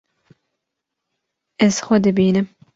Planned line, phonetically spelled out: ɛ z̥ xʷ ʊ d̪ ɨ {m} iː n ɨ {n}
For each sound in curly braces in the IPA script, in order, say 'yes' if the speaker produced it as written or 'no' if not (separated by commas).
no, no